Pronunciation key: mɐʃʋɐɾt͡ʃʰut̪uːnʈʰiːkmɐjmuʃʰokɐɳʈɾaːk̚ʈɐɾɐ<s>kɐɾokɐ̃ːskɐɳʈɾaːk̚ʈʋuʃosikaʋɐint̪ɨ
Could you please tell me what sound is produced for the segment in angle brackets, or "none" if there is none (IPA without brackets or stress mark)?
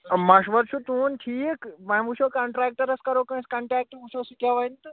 s